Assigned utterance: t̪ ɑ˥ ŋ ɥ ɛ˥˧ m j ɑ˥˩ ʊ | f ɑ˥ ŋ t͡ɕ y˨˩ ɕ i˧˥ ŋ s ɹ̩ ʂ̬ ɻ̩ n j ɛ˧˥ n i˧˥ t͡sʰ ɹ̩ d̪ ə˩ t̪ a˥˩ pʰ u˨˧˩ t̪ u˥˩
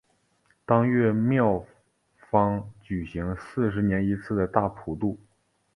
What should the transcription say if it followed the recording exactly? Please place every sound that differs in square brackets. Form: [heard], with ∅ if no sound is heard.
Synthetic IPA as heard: t̪ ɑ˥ ŋ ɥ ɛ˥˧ m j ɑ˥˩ ʊ | f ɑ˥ ŋ t͡ɕ y˨˩ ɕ i˧˥ ŋ s ɹ̩ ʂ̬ ɻ̩ n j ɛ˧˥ n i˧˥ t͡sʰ ɹ̩ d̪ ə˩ t̪ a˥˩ pʰ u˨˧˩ t̪ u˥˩